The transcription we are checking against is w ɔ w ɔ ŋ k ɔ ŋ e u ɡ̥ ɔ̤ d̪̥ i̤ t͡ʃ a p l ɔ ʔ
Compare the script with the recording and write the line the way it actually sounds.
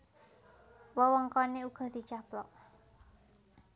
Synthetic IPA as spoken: w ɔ w ɔ ŋ k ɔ n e u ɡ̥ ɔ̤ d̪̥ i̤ t͡ʃ a p l ɔ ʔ